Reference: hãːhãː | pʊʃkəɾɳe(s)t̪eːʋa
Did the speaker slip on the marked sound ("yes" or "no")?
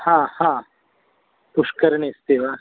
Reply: no